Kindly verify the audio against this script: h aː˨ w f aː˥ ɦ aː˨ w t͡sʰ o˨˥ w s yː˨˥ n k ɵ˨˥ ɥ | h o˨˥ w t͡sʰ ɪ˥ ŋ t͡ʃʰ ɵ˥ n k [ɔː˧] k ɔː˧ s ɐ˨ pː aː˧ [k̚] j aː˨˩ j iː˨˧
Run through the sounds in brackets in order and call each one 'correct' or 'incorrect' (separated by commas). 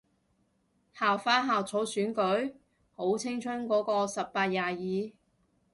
incorrect, incorrect